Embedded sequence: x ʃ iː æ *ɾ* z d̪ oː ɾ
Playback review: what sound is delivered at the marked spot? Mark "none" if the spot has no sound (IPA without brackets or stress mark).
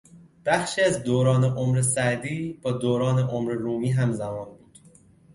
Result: none